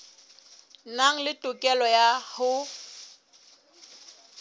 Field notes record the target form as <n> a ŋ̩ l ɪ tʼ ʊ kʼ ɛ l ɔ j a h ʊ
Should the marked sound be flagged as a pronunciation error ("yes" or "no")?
no